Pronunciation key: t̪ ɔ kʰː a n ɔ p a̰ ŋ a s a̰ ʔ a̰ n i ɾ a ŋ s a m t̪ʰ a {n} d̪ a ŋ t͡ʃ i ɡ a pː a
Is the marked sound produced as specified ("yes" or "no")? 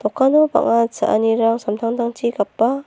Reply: no